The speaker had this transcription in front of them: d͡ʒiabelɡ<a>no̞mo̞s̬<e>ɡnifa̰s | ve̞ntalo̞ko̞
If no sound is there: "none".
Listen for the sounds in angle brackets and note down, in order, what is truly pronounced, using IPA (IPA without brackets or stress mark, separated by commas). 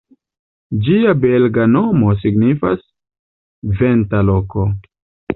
a, i